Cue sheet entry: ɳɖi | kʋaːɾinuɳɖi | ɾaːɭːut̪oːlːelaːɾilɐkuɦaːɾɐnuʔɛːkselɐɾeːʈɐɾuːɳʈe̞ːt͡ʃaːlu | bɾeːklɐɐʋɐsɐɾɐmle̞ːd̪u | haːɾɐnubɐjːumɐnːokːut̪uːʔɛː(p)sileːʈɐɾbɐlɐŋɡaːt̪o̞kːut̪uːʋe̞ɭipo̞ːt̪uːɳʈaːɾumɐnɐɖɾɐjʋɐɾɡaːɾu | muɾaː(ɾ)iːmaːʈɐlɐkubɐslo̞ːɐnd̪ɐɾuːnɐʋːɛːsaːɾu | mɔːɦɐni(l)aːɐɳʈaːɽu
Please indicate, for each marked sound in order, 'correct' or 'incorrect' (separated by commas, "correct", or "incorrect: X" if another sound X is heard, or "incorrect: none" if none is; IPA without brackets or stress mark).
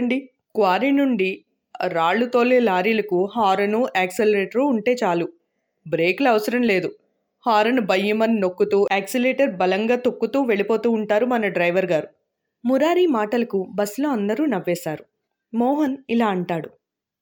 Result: incorrect: k, correct, correct